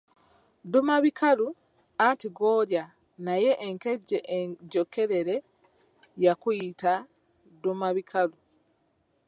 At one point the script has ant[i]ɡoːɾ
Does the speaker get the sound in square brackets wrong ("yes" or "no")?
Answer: no